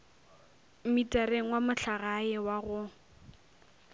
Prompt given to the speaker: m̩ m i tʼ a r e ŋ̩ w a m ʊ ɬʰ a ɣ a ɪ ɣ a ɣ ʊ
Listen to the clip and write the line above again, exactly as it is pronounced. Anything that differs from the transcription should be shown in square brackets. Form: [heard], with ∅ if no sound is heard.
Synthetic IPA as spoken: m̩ m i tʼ a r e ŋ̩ w a m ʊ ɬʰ a ɣ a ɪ [w] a ɣ ʊ